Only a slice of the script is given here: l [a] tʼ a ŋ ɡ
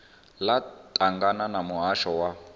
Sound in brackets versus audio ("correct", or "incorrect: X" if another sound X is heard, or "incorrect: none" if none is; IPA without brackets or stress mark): correct